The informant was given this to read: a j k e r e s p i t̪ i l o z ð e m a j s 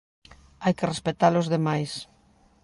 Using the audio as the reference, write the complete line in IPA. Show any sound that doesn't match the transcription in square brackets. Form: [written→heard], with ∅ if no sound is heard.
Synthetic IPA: a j k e r e s p [i→e] t̪ [i→a] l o z ð e m a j s